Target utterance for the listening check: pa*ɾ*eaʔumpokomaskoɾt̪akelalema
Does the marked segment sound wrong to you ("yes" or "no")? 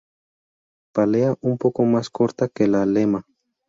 yes